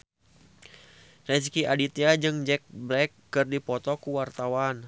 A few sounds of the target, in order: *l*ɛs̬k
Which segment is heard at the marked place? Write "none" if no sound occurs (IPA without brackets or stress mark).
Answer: r